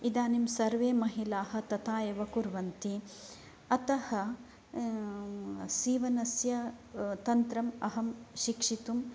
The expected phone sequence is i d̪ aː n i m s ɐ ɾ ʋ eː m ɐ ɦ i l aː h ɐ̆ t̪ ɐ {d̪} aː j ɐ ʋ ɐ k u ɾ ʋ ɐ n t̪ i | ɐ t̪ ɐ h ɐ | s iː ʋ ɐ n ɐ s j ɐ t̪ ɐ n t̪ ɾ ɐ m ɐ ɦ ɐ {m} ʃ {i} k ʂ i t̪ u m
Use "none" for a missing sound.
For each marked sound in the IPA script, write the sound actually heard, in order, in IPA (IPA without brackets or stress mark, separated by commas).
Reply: t̪, m, i